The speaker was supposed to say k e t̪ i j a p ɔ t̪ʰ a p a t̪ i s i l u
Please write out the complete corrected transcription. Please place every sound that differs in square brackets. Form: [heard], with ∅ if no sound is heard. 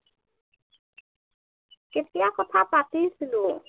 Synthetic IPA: k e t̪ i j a [k] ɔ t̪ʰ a p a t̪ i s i l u